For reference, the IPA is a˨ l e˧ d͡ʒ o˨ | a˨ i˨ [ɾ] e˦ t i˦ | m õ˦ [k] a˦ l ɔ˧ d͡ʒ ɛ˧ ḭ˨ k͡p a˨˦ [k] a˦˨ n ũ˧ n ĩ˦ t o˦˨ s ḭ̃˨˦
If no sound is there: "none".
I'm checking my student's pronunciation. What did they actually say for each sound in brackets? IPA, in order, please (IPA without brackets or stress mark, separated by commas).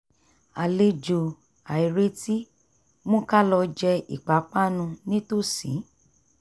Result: ɾ, k, k͡p